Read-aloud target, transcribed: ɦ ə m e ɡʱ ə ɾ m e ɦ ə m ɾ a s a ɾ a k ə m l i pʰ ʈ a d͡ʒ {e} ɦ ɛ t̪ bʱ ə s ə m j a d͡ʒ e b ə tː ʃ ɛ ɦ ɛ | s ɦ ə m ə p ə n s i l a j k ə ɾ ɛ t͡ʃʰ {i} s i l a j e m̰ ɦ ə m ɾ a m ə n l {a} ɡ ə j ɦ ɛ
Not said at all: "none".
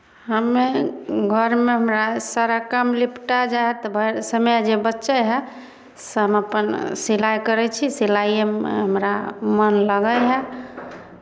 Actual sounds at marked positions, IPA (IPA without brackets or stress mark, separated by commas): a, i, ə